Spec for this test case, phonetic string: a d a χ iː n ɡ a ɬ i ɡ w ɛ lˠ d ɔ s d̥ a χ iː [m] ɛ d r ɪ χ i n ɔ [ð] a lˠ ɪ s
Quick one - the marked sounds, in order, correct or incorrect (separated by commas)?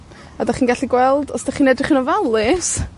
incorrect, incorrect